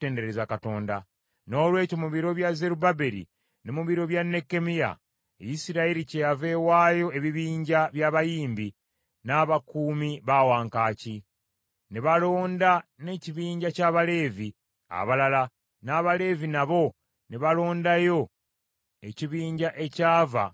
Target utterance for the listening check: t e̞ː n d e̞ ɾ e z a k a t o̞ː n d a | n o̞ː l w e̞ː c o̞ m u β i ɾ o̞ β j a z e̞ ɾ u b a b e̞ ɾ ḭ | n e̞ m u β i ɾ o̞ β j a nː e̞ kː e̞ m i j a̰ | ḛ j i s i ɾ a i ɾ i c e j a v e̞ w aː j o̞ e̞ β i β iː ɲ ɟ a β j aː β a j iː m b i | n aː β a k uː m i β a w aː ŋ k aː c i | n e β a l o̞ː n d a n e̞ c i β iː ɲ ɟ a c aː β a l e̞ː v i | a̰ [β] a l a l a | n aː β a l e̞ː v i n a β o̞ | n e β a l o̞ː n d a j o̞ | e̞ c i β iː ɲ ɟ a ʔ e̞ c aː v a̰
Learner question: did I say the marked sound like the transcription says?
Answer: yes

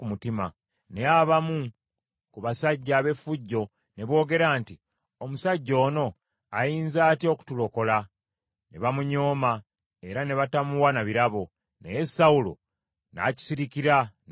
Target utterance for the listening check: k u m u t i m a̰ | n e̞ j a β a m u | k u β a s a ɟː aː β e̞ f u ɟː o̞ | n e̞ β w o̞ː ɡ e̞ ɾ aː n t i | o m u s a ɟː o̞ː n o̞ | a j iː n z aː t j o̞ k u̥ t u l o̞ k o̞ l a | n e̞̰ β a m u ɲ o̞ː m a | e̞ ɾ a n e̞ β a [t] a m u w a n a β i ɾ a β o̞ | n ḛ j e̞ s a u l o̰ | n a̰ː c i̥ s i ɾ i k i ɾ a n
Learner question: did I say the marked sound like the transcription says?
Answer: yes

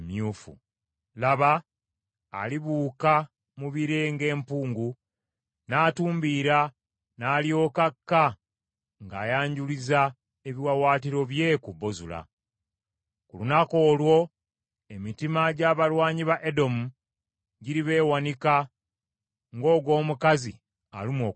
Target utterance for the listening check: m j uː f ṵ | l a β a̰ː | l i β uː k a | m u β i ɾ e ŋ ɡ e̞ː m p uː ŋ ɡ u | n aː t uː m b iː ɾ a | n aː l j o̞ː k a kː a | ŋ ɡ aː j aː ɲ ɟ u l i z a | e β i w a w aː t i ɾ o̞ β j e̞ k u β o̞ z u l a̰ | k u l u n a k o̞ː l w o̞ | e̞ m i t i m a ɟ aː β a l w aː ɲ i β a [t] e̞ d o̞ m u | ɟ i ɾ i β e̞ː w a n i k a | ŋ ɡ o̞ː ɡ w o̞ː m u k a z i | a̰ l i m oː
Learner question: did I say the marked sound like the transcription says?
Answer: no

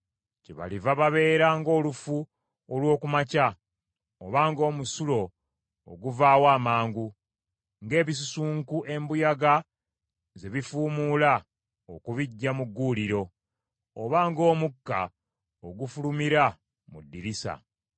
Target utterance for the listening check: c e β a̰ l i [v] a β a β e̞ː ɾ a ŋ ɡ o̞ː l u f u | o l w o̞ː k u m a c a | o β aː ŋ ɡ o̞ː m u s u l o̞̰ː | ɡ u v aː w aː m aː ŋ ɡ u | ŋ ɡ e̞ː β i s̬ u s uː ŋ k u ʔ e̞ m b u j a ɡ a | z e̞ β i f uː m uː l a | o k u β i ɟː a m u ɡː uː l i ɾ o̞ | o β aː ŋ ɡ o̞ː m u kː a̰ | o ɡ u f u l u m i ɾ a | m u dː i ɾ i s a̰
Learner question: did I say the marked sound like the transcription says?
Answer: yes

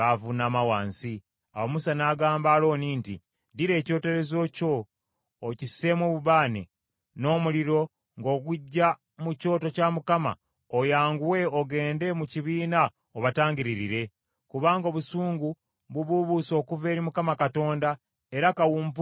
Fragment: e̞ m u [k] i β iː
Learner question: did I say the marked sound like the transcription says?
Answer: no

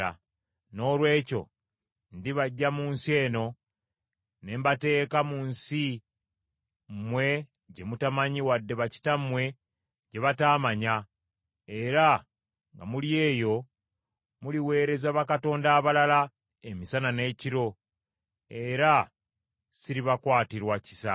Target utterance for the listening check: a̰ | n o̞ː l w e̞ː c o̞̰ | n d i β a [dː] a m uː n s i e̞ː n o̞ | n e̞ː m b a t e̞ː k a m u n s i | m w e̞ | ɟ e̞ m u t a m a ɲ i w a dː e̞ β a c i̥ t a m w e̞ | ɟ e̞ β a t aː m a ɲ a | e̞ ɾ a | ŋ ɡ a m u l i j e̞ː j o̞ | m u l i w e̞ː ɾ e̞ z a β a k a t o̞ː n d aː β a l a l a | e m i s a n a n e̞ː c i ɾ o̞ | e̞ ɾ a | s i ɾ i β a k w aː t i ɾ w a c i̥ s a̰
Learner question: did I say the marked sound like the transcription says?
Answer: no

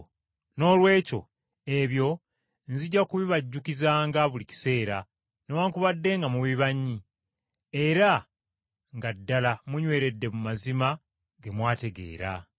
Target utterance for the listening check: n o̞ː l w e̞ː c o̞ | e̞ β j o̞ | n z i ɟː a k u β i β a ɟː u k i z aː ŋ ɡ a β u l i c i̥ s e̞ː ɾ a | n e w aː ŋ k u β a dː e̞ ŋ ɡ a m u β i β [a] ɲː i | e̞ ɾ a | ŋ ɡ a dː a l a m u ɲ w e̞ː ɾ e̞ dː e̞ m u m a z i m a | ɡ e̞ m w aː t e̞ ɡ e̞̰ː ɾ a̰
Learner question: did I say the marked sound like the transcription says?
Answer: yes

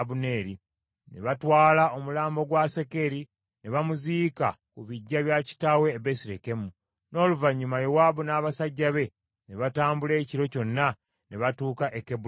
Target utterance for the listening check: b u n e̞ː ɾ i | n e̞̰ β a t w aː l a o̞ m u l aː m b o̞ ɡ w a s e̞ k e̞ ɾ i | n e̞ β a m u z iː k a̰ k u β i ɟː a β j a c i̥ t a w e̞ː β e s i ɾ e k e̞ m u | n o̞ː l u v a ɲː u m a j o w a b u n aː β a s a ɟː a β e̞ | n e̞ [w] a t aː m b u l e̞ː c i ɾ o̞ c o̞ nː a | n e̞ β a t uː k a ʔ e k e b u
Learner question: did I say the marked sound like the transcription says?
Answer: no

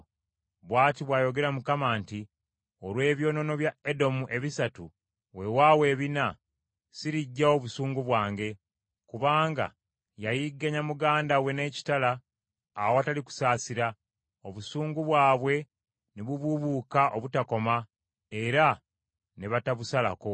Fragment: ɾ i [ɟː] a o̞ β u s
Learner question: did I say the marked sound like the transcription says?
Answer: yes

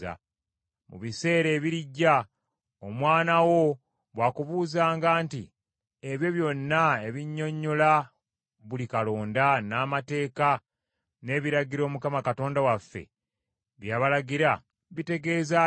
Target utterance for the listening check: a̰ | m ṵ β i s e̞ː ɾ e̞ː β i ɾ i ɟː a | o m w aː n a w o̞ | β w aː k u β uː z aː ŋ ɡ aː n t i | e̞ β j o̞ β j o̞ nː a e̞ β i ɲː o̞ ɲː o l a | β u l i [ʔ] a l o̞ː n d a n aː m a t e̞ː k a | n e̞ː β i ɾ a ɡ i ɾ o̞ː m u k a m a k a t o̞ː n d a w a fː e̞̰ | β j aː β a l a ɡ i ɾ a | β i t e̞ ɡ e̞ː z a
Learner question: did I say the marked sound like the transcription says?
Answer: no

